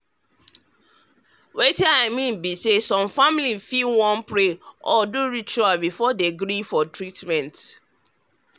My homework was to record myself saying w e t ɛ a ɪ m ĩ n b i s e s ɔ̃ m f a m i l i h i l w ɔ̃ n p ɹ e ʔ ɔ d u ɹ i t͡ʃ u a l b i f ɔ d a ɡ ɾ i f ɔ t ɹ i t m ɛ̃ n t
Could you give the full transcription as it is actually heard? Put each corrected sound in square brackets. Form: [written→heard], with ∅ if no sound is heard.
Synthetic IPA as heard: w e t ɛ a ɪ m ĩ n b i s e s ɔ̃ m f a m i l i [h→f] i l w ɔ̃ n p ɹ e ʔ ɔ d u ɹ i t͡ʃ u a l b i f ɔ d [a→e] ɡ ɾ i f ɔ t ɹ i t m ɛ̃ n t